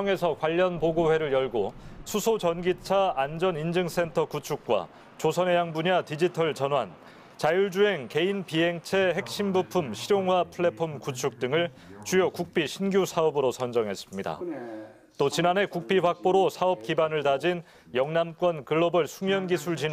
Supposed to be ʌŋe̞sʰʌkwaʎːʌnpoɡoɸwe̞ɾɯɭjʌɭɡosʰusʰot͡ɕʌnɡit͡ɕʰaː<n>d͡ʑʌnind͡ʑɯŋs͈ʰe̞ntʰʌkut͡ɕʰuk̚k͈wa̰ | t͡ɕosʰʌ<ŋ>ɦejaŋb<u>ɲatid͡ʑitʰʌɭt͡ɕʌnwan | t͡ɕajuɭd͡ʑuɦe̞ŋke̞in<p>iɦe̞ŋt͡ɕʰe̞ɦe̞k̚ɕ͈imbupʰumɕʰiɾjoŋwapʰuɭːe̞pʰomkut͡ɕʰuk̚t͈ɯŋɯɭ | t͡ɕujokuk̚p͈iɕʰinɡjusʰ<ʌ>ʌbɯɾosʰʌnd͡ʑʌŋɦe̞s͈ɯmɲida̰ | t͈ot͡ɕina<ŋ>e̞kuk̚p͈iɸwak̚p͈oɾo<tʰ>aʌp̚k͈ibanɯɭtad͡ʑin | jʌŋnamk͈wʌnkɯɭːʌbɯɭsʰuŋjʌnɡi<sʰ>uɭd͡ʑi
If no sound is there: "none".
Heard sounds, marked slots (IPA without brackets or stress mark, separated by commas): n, n, u, p, a, n, sʰ, sʰ